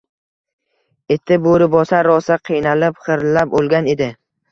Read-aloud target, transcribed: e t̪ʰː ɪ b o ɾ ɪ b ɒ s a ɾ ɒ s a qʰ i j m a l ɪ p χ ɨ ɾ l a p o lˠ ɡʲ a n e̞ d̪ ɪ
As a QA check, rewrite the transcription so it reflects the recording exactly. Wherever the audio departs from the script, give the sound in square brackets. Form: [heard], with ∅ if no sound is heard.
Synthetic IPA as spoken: e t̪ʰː ɪ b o ɾ ɪ b ɒ s a ɾ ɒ s a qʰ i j [n] a l ɪ p χ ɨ ɾ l a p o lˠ ɡʲ a n e̞ d̪ ɪ

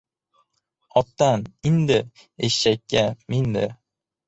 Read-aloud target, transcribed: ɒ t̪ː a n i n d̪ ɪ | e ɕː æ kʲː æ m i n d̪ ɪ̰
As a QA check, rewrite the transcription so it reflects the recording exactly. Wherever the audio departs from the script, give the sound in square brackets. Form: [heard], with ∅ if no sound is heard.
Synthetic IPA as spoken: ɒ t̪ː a n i n d̪ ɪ | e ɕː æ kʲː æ m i n d̪ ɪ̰

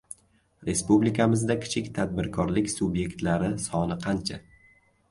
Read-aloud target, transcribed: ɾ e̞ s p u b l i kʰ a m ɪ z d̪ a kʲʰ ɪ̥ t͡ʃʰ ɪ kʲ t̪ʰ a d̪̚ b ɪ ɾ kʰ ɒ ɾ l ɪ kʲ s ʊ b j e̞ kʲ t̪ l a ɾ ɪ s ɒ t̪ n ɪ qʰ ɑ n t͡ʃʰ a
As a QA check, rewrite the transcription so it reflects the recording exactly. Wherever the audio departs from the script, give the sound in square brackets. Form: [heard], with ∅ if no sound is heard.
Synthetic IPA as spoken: ɾ e̞ s p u b l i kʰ a m ɪ z d̪ a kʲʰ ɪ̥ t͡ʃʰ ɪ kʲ t̪ʰ a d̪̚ b ɪ ɾ kʰ ɒ ɾ l ɪ kʲ s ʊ b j e̞ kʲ t̪ l a ɾ ɪ s ɒ [∅] n ɪ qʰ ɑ n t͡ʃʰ a

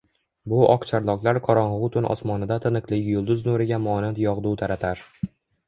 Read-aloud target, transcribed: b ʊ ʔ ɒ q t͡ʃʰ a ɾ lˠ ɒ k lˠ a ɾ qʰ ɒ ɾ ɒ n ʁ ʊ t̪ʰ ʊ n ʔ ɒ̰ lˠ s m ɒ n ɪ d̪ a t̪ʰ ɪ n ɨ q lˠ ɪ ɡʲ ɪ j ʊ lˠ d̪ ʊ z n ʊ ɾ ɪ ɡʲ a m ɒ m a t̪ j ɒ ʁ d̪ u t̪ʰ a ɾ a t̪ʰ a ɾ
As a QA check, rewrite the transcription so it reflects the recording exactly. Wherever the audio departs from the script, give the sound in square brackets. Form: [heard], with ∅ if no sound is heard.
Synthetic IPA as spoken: b ʊ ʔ ɒ q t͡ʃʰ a ɾ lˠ ɒ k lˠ a ɾ qʰ ɒ ɾ ɒ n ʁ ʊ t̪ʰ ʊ n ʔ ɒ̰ [∅] s m ɒ n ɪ d̪ a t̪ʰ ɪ n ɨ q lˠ ɪ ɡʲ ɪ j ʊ lˠ d̪ ʊ z n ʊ ɾ ɪ ɡʲ a m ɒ [n] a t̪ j ɒ ʁ d̪ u t̪ʰ a ɾ a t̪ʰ a ɾ

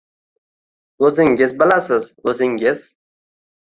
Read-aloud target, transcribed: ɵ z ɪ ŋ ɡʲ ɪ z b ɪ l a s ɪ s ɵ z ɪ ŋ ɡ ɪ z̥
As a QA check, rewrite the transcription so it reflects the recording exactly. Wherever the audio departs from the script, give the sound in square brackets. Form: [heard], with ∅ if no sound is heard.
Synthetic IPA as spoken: ɵ z ɪ ŋ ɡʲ ɪ z b ɪ l a s ɪ [z] ɵ z ɪ ŋ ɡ ɪ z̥

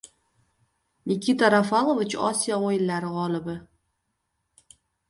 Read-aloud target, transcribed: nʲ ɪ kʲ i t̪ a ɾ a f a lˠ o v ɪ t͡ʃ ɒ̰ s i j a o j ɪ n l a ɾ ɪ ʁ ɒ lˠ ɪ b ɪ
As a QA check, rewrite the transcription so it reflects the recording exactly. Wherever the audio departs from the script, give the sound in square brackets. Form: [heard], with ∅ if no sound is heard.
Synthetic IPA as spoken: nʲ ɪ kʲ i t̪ a ɾ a f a lˠ o v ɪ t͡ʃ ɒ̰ s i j a o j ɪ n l a ɾ ɪ ʁ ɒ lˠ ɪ b ɪ

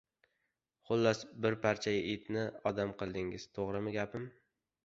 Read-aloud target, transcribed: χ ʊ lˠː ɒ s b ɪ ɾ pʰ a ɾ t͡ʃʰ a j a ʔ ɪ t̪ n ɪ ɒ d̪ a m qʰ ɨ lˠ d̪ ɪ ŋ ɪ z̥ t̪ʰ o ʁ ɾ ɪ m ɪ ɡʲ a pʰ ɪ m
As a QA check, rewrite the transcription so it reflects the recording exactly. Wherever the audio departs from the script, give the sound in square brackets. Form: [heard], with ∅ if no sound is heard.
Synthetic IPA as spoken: χ ʊ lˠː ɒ s b ɪ ɾ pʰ a ɾ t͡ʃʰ a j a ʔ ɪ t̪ n ɪ ɒ d̪ a m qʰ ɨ lˠ d̪ ɪ ŋ ɪ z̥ t̪ʰ o ʁ ɾ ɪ m ɪ ɡʲ a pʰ ɪ m

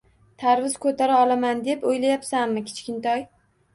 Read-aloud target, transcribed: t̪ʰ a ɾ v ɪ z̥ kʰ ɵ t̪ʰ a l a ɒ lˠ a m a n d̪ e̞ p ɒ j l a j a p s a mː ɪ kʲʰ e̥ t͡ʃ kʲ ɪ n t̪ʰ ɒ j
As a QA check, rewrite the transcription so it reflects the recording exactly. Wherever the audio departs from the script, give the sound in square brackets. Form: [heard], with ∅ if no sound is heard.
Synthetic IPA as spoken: t̪ʰ a ɾ v ɪ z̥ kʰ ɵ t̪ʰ a [ɾ] a ɒ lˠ a m a n d̪ e̞ p [o] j l a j a p s a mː ɪ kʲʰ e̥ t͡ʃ kʲ ɪ n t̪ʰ ɒ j

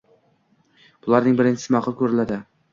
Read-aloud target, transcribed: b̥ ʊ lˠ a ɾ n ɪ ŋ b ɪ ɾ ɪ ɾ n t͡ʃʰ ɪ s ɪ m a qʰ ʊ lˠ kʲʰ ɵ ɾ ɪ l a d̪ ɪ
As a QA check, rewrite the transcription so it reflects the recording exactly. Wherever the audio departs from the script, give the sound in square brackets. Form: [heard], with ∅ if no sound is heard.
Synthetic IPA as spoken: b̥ ʊ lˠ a ɾ n ɪ ŋ b ɪ ɾ ɪ [∅] n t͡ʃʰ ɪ s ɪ m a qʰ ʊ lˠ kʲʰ ɵ ɾ ɪ l a d̪ ɪ

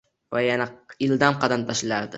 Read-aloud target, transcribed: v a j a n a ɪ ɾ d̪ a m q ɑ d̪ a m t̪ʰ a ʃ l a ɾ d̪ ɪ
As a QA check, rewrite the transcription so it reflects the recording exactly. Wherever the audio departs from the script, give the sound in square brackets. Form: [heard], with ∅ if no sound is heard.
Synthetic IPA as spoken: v a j a n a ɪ [l] d̪ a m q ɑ d̪ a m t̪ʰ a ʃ l a ɾ d̪ ɪ

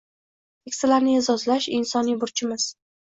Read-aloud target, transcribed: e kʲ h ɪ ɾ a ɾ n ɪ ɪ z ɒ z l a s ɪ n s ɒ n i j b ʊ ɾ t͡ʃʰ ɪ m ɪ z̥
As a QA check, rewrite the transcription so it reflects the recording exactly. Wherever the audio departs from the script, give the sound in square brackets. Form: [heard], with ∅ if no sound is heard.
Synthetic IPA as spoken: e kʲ [s] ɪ [l] a ɾ n ɪ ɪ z ɒ z l a [ʃ] ɪ n s ɒ n i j b ʊ ɾ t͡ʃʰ ɪ m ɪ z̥

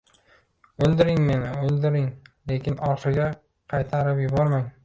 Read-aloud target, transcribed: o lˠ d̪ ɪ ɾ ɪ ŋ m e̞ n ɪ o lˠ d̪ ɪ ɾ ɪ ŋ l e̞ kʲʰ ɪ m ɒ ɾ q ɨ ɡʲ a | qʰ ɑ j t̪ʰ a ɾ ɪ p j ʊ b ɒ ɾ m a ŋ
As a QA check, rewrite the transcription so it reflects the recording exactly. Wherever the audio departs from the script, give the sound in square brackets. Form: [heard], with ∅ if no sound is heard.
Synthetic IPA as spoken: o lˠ d̪ ɪ ɾ ɪ ŋ m e̞ n ɪ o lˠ d̪ ɪ ɾ ɪ ŋ l e̞ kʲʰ ɪ [n] ɒ ɾ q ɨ ɡʲ a | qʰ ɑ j t̪ʰ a ɾ ɪ p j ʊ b ɒ ɾ m a ŋ

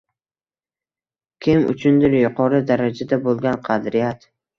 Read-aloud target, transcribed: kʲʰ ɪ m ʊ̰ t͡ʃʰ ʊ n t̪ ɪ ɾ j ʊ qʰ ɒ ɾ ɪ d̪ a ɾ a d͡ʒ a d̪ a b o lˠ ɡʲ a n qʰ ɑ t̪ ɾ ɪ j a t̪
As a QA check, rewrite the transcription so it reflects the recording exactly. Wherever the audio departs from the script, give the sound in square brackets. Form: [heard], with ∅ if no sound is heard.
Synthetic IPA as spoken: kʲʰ ɪ m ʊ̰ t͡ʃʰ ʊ n [d̪] ɪ ɾ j ʊ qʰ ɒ ɾ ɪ d̪ a ɾ a d͡ʒ a d̪ a b o lˠ ɡʲ a n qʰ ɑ [d̪] ɾ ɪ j a t̪

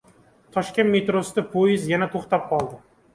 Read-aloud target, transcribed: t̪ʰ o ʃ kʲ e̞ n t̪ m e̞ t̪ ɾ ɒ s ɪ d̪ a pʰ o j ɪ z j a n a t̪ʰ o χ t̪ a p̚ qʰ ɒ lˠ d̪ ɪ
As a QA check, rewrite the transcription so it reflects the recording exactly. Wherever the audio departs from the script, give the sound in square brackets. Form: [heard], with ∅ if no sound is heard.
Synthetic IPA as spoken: t̪ʰ [ɒ] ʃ kʲ e̞ n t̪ m e̞ t̪ ɾ [o] s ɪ d̪ a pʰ o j ɪ z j a n a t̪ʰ o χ t̪ a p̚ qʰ ɒ lˠ d̪ ɪ

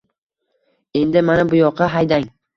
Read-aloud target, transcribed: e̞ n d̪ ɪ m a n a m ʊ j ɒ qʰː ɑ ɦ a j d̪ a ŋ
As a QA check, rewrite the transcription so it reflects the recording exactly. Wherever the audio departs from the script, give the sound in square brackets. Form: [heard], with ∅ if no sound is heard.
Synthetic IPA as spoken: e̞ n d̪ ɪ m a n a [b] ʊ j ɒ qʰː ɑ ɦ a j d̪ a ŋ

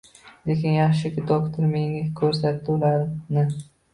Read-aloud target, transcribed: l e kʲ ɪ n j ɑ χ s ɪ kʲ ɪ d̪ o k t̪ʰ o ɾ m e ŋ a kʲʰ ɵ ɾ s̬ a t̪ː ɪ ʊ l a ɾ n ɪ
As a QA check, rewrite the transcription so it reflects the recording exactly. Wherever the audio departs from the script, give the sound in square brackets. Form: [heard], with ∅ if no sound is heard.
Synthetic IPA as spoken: l e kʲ ɪ n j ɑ χ [ʃ] ɪ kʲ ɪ d̪ o k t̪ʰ o ɾ m e ŋ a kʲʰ ɵ ɾ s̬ a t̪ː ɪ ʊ l a ɾ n ɪ

